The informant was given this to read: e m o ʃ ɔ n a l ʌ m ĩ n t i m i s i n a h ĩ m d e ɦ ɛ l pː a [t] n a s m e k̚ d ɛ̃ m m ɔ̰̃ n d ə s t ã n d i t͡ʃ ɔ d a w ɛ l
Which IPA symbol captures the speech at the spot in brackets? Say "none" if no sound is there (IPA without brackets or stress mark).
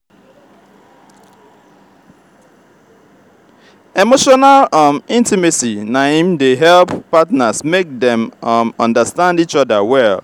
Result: t